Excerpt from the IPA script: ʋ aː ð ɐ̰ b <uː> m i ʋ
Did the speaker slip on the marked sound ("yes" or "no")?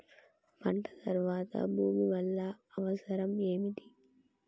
no